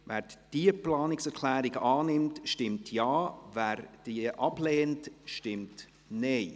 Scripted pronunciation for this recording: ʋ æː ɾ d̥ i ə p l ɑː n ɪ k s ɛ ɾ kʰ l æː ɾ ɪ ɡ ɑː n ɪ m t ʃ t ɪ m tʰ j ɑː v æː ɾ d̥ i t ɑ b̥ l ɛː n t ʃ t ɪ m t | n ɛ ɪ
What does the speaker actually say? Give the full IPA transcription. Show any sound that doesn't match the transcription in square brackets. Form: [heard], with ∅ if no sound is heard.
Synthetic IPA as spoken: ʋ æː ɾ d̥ i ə p l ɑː n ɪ k s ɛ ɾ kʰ l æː ɾ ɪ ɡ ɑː n ɪ m t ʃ t ɪ m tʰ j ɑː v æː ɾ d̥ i [ʔ] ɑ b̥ l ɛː n t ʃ t ɪ m t | n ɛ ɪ